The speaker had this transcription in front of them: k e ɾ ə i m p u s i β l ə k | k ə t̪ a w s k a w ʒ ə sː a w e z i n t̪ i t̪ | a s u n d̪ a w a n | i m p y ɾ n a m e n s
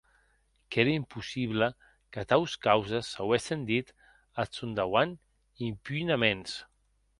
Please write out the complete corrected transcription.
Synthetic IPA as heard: k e ɾ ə i m p u s i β l ə | k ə t̪ a w s k a w z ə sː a w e s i n d̪ i t̪ | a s u n d̪ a w a n | i m p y n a m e n s